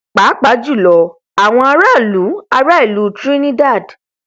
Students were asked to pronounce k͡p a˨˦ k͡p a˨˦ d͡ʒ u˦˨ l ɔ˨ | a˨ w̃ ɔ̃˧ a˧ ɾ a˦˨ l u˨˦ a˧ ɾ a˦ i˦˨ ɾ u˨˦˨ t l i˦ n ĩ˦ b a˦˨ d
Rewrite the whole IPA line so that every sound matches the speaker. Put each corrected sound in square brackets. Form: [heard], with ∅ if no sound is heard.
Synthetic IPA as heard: k͡p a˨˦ k͡p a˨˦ d͡ʒ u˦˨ l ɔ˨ | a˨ w̃ ɔ̃˧ a˧ ɾ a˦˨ l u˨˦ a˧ ɾ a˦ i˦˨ [l] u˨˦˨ t [ɾ] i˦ n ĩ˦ [d] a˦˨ d